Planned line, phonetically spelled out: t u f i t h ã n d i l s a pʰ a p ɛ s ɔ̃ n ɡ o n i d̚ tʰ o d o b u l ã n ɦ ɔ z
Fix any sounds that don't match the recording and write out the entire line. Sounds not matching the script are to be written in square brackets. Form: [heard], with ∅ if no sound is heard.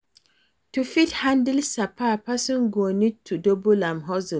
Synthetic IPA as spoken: t u f i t h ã n d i l s a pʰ a p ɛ s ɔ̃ n ɡ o n i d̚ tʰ [u] d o b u l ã [m] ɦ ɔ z

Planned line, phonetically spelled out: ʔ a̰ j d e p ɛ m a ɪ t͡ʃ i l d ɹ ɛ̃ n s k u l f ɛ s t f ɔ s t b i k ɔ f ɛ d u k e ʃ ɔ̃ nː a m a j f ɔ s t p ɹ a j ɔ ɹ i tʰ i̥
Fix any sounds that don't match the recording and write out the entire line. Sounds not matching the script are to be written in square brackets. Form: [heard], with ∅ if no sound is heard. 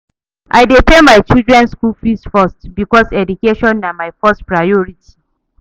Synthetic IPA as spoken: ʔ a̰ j d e p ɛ m a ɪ t͡ʃ i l d ɹ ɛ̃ n s k u l f [i] s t f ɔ s t b i k ɔ [s] ɛ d u k e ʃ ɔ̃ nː a m a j f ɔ s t p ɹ a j ɔ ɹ i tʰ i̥

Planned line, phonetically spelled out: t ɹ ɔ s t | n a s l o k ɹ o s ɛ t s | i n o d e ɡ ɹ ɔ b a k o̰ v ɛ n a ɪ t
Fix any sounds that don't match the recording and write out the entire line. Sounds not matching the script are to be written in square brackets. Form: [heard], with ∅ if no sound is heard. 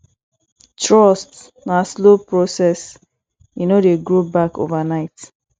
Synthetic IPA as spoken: t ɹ ɔ s t | n a s l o [p] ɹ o s ɛ [∅] s | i n o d e ɡ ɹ [o] b a k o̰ v [a] n a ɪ t

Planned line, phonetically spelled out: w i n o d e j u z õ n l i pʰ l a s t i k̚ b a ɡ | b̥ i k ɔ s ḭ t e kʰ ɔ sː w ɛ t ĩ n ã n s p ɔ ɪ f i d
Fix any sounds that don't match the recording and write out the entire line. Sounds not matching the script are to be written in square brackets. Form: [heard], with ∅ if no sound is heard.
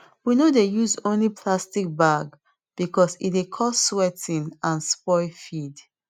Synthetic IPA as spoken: w i n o d e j u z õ n l i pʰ l a s t i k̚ b a ɡ | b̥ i k ɔ s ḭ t e kʰ ɔ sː w ɛ t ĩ n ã n s p ɔ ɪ f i d

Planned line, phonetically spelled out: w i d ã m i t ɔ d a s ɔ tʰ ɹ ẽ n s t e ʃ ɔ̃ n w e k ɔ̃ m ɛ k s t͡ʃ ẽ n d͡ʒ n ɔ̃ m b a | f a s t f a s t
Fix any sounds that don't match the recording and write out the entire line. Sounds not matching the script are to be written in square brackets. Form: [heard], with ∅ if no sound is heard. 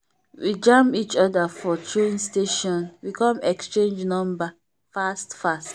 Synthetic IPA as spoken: w i [d͡ʒ] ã m i [t͡ʃ] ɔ d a [f] ɔ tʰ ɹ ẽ n s t e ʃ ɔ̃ n w [i] k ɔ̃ m ɛ k s t͡ʃ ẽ n d͡ʒ n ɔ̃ m b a | f a s t f a s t

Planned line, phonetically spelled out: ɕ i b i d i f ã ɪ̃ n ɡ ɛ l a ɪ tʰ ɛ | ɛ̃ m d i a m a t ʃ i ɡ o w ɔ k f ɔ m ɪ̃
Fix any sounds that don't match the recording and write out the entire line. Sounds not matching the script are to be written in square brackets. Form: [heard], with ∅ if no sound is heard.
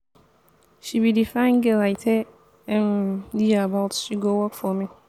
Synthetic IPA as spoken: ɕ i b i d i f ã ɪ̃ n ɡ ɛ l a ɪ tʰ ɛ | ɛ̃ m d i a [b] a t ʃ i ɡ o w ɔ k f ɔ m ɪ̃

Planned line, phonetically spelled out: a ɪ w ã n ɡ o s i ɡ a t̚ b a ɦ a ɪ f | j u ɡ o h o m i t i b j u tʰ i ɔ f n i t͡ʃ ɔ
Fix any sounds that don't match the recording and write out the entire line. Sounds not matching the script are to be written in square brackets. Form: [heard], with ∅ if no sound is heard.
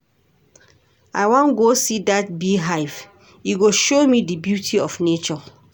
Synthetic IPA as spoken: a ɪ w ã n ɡ o s i [d] a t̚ b [i] ɦ a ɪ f | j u ɡ o [ʃ] o m i [d] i b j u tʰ i ɔ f n [e] t͡ʃ ɔ

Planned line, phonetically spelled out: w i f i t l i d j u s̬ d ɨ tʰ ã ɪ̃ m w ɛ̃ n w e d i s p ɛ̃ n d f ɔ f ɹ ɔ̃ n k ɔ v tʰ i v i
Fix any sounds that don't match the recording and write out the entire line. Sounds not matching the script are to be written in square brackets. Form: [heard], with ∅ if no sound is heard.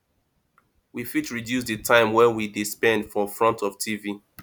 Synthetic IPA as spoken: w i f i t [ɹ] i d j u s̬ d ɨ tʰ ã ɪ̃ m w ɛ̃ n w [i] d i s p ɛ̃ n d f ɔ f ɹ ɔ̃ n [t] ɔ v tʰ i v i

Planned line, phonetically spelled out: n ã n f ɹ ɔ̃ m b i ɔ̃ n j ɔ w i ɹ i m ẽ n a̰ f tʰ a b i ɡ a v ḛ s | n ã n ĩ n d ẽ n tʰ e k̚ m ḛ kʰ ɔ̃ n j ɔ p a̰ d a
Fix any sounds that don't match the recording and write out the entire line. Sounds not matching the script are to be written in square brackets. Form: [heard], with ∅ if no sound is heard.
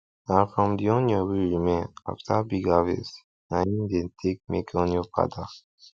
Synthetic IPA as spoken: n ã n f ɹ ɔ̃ m [d] i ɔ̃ n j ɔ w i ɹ i m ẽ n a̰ f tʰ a b i ɡ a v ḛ s | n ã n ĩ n d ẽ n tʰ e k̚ m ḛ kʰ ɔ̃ n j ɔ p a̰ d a

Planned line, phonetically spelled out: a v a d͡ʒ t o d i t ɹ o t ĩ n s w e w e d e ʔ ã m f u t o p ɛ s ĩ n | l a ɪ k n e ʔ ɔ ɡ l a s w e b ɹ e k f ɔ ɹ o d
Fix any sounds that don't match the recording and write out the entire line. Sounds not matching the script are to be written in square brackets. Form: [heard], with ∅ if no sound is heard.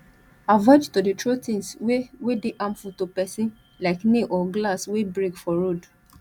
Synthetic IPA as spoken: a v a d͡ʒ t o d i t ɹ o t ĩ n s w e w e d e ʔ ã m f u t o p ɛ s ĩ n | l a ɪ k n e ʔ ɔ ɡ l a s w e b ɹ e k f ɔ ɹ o d

